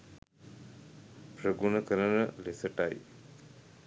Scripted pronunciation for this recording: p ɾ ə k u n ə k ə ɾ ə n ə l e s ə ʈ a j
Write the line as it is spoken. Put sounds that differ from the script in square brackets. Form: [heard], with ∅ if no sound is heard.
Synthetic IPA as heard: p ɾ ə [ɡ] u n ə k ə ɾ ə n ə l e s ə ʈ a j